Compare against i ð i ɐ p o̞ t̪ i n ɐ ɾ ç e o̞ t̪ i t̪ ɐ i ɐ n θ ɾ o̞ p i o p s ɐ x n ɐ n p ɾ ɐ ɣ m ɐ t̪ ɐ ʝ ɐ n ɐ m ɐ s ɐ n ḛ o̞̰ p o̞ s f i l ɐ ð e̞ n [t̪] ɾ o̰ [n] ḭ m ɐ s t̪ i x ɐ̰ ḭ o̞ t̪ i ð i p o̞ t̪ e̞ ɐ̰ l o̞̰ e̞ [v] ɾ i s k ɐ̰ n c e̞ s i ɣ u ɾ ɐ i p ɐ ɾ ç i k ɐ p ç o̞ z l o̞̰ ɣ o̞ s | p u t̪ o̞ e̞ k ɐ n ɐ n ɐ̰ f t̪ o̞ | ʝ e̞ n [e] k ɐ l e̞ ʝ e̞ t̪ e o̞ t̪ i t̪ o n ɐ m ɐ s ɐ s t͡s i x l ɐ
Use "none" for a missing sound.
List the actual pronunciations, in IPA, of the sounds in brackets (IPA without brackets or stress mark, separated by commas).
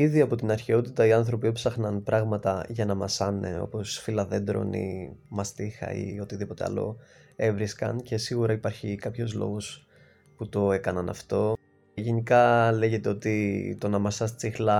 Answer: d̪, n, v, i